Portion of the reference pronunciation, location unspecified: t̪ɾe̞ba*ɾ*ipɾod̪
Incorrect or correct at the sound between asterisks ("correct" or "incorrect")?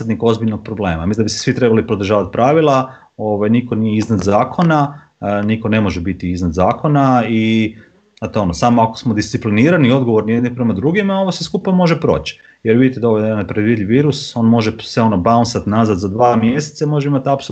incorrect